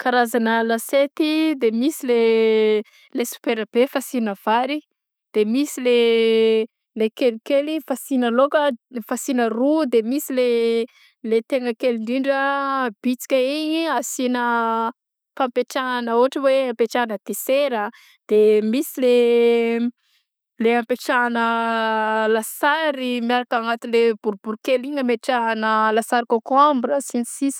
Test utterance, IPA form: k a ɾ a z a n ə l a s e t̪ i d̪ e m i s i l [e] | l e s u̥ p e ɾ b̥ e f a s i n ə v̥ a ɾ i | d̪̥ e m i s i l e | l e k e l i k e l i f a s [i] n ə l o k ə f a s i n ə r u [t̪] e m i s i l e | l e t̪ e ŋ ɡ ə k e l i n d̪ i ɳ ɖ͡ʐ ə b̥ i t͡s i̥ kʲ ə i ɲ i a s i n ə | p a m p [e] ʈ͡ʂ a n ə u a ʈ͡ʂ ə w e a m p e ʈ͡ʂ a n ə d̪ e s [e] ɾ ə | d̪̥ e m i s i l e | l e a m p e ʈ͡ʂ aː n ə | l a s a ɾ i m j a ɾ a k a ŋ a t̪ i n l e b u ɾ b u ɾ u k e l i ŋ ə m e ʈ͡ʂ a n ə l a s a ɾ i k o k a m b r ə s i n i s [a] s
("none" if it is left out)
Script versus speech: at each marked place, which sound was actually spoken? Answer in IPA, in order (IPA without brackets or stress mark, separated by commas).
e, i, d̪, e, e, i